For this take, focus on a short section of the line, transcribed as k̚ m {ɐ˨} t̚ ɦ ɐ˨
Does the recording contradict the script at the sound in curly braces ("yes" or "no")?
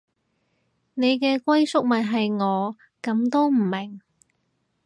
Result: no